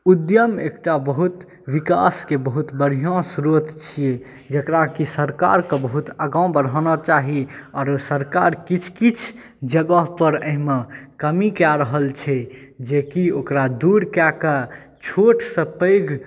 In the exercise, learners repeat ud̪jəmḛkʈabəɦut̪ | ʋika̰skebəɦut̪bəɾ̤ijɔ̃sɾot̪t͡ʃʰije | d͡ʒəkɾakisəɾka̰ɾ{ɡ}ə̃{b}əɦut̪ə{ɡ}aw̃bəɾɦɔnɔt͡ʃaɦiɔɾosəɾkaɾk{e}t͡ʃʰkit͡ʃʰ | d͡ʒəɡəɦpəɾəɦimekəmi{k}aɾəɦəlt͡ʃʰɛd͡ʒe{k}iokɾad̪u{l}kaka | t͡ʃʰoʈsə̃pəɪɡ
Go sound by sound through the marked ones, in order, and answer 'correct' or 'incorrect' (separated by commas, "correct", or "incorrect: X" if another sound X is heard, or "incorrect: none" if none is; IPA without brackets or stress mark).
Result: incorrect: k, correct, correct, incorrect: i, correct, correct, incorrect: ɾ